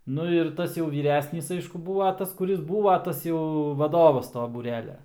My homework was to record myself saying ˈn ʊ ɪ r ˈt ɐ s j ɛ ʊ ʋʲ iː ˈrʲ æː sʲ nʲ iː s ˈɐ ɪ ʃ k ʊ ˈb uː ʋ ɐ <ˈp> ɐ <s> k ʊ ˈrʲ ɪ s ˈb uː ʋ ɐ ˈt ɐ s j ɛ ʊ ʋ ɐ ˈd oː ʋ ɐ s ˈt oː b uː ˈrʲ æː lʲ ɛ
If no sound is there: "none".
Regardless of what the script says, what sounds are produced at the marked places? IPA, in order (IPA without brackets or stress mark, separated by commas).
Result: t, s